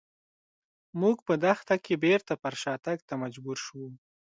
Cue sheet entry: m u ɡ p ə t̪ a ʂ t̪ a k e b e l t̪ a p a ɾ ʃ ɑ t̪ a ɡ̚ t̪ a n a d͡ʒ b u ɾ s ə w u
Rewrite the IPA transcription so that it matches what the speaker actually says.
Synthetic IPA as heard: m u ɡ p ə d̪ a x t̪ a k e b e ɾ t̪ a p a ɾ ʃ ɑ t̪ a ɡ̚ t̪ a m a d͡ʒ b u ɾ ʃ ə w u